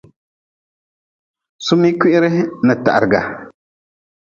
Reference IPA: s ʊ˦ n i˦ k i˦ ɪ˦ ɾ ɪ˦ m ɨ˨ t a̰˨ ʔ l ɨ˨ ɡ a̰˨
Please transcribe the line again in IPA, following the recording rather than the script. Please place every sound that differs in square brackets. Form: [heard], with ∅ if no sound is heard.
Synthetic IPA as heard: s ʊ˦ [m] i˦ k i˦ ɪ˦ ɾ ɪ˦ [n] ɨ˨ t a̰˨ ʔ [ɾ] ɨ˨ ɡ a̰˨